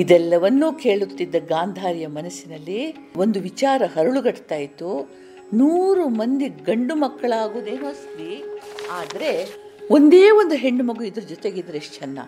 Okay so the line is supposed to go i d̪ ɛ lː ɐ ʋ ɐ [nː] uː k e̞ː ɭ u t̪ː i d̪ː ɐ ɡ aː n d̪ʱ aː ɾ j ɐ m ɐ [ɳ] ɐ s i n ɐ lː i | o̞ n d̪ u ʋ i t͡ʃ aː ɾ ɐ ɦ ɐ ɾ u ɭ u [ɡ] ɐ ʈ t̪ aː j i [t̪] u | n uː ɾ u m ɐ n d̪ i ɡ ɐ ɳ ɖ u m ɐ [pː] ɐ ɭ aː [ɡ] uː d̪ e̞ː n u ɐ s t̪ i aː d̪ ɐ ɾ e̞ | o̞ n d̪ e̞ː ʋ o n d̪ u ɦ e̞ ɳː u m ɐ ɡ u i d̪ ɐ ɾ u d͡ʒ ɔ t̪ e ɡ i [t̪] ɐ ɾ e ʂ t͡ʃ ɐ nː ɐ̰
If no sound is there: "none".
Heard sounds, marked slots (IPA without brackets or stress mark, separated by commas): nː, n, ɡ, t̪, kː, ɡ, d̪